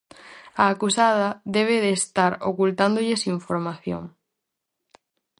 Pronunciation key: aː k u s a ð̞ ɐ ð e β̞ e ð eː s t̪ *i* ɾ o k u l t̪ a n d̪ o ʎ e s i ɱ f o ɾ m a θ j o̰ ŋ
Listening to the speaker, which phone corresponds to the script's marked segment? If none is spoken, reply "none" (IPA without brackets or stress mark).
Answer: a